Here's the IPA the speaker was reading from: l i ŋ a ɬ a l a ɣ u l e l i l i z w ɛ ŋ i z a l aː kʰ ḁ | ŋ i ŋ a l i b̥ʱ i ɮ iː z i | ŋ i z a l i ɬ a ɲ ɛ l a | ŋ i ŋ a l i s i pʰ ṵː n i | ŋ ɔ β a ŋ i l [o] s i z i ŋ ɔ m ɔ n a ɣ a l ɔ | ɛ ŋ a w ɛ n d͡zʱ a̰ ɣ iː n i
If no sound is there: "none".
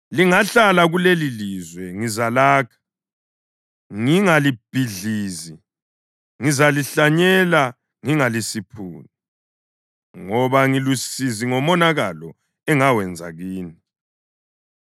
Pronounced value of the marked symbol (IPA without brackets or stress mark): u